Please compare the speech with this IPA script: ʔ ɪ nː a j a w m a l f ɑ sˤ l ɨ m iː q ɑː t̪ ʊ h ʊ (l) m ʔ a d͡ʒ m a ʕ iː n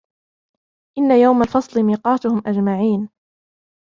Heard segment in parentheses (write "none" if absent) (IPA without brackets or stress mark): none